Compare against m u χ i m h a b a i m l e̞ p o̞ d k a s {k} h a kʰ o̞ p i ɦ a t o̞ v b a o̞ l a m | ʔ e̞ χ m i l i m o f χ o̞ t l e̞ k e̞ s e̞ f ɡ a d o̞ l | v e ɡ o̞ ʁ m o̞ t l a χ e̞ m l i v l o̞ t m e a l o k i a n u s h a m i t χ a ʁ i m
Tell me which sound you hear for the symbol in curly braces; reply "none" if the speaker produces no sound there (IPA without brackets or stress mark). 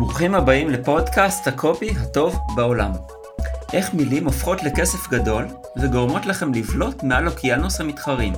t